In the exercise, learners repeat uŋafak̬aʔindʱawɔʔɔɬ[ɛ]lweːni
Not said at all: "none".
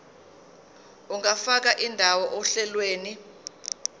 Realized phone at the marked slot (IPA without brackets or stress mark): ɛ